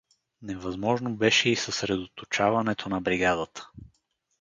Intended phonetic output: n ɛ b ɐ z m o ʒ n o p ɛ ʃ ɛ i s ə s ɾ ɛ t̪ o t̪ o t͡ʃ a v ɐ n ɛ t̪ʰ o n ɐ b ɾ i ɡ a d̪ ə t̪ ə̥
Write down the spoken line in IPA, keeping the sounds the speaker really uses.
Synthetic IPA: n ɛ v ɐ z m ɔ ʒ n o b ɛ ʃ ɛ i s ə s ɾ ɛ d̪ o t̪ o t͡ʃ a v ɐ n ɛ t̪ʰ o n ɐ b ɾ i ɡ a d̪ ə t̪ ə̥